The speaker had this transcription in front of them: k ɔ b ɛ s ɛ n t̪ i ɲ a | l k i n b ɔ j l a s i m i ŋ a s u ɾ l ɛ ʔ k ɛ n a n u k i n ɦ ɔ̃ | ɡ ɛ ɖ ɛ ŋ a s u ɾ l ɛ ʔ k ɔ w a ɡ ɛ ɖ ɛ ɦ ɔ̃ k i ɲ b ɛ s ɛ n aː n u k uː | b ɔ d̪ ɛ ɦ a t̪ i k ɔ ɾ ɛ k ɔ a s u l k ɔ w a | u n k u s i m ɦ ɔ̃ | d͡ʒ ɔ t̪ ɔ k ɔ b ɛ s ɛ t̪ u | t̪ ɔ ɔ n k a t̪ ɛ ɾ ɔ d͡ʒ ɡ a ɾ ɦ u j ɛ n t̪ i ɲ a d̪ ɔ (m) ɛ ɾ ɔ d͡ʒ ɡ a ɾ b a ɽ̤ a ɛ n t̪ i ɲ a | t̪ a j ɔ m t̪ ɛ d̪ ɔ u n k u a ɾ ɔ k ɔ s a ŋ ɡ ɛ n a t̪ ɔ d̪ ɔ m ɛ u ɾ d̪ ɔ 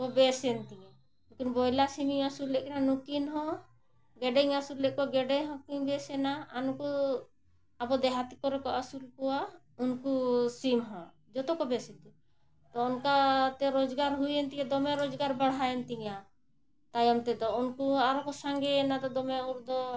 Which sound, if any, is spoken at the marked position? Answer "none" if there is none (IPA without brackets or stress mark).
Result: m